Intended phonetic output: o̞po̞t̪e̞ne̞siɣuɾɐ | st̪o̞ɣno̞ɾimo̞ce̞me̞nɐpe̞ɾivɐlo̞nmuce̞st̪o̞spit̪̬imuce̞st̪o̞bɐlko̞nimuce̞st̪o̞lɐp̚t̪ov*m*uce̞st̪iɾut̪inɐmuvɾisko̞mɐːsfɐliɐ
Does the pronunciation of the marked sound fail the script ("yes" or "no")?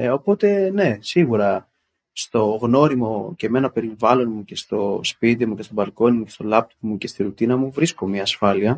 no